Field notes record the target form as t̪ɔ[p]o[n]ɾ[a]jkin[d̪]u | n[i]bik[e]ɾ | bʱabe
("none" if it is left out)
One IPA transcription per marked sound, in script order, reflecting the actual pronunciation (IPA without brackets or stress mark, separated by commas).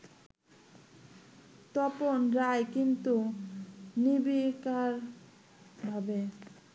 p, n, a, t̪, i, a